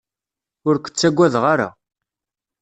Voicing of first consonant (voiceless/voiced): voiced